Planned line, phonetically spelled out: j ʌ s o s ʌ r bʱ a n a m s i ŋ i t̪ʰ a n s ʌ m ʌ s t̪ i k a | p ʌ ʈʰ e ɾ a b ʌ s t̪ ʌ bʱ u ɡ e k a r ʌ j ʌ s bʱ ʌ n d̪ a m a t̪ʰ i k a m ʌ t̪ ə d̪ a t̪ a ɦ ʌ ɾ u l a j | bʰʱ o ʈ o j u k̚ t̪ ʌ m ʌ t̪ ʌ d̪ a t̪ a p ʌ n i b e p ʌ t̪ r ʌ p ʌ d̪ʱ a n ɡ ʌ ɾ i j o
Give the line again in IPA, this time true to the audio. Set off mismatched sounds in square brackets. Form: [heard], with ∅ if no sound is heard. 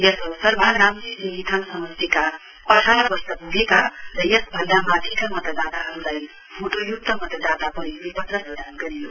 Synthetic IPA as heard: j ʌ s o s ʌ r bʱ a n a m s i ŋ i t̪ʰ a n s ʌ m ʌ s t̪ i k a | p ʌ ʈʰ [a] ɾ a b ʌ s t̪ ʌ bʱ u ɡ e k a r ʌ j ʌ s bʱ ʌ n d̪ a m a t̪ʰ i k a m ʌ t̪ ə d̪ a t̪ a ɦ ʌ ɾ u l a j | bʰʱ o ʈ o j u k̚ t̪ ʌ m ʌ t̪ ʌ d̪ a t̪ a p ʌ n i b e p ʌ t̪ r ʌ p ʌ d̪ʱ a n ɡ ʌ ɾ i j o

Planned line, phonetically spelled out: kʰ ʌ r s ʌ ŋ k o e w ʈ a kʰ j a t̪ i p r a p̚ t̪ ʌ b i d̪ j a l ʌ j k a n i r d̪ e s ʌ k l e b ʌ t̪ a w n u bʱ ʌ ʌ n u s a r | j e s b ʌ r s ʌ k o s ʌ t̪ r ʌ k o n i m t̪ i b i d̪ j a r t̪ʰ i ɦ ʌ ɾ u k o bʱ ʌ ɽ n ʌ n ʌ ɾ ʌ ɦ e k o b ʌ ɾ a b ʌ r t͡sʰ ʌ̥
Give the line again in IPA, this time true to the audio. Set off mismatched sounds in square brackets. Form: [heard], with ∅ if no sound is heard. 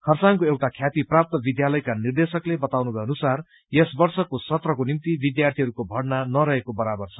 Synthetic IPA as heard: kʰ ʌ r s [a] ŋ k o e w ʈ a kʰ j a t̪ i p r a p̚ t̪ ʌ b i d̪ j a l ʌ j k a n i r d̪ e s ʌ k l e b ʌ t̪ a w n u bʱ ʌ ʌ n u s a r | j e s b ʌ r s ʌ k o s ʌ t̪ r ʌ k o n i m t̪ i b i d̪ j a r t̪ʰ i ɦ ʌ ɾ u k o bʱ ʌ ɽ n [a] n ʌ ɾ ʌ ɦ e k o b ʌ ɾ a b ʌ r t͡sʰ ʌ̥

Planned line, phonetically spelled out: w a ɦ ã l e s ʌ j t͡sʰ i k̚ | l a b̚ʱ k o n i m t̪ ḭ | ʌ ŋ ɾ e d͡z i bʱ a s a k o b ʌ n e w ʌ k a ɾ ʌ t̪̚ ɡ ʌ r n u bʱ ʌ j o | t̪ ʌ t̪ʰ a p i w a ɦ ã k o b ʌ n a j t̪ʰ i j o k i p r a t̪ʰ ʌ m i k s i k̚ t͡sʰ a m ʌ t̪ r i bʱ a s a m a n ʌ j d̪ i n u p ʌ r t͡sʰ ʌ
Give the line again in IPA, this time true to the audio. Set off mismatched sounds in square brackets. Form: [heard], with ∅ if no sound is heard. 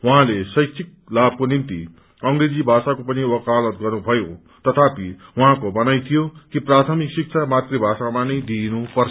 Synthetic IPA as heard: w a ɦ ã l e s ʌ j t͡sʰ i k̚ | l a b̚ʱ k o n i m t̪ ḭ | ʌ ŋ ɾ e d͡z i bʱ a s a k o [p] ʌ n [i] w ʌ k a [l] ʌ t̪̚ ɡ ʌ r n u bʱ ʌ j o | t̪ ʌ t̪ʰ a p i w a ɦ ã k o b ʌ n a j t̪ʰ i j o k i p r a t̪ʰ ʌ m i k s i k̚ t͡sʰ a m [a] t̪ r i bʱ a s a m a n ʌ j d̪ i n u p ʌ r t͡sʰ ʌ

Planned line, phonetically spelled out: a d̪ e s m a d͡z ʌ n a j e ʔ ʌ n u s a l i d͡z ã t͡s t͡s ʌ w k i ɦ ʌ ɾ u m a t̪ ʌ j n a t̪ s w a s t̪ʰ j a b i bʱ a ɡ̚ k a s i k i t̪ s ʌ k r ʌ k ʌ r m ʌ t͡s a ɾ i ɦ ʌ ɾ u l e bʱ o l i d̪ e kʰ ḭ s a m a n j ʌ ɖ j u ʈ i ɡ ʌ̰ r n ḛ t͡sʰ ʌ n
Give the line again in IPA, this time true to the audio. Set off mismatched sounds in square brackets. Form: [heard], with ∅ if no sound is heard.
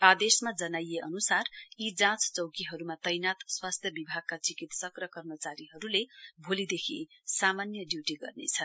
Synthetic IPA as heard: a d̪ e s m a d͡z ʌ n a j e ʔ ʌ n u s a [r] i d͡z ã t͡s t͡s ʌ w k i ɦ ʌ ɾ u m a t̪ ʌ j n a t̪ s w a s t̪ʰ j [ʌ] b i bʱ a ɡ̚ k a [t͡s] i k i t̪ s ʌ k r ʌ k ʌ r m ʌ t͡s a ɾ i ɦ ʌ ɾ u l e bʱ o l i d̪ e kʰ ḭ s a m a n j ʌ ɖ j u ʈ i ɡ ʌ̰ r n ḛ t͡sʰ ʌ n

